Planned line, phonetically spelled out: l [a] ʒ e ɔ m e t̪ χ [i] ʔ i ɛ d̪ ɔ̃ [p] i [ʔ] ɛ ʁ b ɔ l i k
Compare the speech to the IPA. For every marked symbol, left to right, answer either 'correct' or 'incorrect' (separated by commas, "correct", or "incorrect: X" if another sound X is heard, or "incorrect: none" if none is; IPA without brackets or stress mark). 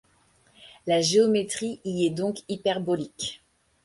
correct, correct, incorrect: k, incorrect: p